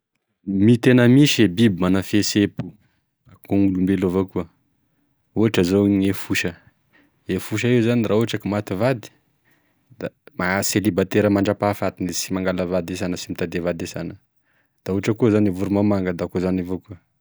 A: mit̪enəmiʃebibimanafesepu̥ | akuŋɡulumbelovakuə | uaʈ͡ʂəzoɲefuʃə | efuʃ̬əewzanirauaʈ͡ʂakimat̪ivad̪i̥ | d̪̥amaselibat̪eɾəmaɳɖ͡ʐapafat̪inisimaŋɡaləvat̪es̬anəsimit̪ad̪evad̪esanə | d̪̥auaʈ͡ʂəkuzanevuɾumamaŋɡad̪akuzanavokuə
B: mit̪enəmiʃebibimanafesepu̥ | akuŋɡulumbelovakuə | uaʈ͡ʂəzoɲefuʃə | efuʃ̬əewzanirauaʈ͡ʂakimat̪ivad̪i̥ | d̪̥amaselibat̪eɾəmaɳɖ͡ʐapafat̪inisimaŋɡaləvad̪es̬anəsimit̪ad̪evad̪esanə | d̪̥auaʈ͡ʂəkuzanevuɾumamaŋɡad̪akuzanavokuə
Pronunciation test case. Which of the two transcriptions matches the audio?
B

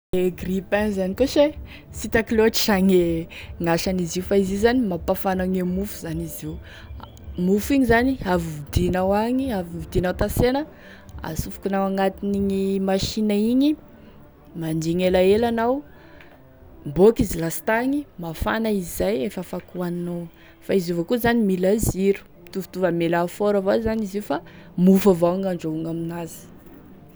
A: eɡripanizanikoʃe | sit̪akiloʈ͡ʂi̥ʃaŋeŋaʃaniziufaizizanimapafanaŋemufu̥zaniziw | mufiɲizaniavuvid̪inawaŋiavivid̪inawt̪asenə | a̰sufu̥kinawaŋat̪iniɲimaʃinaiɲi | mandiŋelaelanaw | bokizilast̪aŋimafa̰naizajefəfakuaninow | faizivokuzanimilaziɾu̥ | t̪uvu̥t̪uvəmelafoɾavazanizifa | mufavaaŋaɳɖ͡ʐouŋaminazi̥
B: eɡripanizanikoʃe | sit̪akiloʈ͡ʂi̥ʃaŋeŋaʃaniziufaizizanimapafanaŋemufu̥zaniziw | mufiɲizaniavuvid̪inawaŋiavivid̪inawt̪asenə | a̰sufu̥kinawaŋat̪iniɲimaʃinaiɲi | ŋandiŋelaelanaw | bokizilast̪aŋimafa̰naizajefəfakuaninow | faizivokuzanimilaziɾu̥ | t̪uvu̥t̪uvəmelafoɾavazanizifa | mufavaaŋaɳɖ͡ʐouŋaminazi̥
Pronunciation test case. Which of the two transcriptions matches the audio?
A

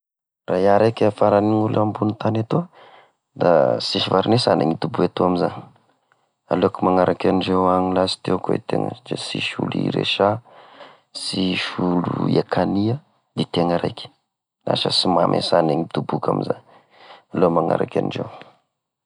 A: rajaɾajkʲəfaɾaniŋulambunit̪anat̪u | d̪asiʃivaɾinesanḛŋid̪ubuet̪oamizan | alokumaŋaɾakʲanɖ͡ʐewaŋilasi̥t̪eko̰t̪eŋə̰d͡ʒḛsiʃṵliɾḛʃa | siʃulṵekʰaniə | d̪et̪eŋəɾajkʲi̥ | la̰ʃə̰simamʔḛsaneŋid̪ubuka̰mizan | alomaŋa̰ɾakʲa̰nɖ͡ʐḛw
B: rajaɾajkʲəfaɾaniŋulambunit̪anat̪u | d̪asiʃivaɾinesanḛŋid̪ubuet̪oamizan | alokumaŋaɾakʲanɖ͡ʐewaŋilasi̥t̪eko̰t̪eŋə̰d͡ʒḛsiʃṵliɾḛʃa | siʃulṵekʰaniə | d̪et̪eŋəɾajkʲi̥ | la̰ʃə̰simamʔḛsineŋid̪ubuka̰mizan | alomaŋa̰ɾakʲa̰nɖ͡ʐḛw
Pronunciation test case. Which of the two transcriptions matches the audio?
A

